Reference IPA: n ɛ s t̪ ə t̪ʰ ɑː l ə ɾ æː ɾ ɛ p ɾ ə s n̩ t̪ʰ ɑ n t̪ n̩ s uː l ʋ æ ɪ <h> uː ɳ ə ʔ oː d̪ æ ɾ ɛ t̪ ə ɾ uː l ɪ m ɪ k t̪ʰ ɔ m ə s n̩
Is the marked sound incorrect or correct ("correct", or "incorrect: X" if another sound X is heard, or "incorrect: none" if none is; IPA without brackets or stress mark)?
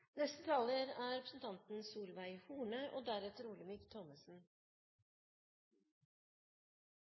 correct